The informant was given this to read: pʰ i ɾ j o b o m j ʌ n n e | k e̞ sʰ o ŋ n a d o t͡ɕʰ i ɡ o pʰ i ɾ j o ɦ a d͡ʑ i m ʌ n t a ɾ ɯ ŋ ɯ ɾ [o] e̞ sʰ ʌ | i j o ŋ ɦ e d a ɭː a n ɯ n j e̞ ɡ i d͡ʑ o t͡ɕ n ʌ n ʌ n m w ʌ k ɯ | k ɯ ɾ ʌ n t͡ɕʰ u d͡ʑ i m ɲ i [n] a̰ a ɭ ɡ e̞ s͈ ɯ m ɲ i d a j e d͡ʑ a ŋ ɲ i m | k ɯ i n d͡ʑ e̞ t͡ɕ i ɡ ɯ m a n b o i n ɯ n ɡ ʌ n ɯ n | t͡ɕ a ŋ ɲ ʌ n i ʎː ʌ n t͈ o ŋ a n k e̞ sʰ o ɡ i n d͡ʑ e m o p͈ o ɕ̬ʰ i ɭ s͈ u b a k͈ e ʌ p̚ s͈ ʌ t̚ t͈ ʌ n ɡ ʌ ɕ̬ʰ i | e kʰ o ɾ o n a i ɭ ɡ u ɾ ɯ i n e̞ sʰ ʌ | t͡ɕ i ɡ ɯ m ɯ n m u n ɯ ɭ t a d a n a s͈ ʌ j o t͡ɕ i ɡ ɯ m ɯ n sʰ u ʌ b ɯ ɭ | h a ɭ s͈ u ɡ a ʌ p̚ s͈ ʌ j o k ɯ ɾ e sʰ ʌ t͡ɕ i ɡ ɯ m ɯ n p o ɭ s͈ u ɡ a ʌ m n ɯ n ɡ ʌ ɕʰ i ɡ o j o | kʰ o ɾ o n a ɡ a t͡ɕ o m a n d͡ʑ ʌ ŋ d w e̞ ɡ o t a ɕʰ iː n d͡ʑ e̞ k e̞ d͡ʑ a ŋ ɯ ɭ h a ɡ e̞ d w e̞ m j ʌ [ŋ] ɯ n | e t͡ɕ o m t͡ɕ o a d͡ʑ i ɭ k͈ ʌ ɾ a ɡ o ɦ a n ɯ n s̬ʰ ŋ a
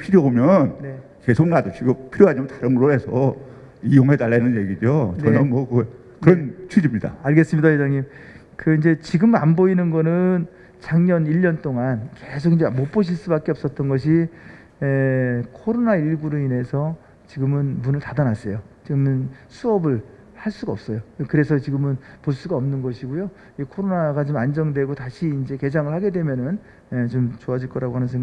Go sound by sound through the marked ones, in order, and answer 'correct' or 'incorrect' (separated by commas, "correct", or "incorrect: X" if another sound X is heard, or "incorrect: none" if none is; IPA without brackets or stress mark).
correct, incorrect: d, incorrect: n